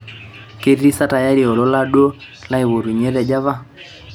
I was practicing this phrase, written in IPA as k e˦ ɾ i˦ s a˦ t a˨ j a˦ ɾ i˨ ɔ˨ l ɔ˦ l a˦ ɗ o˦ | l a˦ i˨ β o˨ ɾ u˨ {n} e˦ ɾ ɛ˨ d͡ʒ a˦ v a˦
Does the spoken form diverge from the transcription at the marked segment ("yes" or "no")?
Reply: yes